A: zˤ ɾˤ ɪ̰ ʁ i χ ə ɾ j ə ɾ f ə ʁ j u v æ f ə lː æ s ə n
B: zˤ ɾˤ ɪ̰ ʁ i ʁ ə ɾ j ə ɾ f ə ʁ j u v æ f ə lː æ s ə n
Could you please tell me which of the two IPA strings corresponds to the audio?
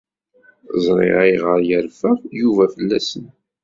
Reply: B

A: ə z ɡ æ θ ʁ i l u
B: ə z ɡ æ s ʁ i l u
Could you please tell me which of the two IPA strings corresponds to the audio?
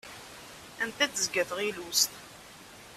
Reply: A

